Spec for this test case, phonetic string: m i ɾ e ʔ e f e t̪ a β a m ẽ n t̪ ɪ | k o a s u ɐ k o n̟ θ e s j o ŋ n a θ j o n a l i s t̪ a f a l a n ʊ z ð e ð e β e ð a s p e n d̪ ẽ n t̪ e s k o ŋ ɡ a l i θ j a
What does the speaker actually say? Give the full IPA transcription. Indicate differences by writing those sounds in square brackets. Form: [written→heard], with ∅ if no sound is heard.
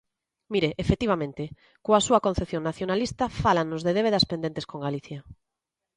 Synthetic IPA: m i ɾ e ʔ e f e t̪ [a→i] β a m ẽ n t̪ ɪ | k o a s u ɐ k o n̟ θ e [s→θ] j o ŋ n a θ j o n a l i s t̪ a f a l a n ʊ z ð e ð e β e ð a s p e n d̪ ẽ n t̪ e s k o ŋ ɡ a l i θ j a